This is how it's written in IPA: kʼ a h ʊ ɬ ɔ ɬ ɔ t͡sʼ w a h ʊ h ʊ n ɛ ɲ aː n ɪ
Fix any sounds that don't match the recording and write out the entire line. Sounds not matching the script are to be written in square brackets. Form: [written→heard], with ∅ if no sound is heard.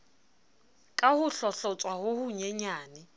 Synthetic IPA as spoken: kʼ a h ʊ ɬ ɔ ɬ ɔ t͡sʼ w a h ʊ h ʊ [n→ɲ] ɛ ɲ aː n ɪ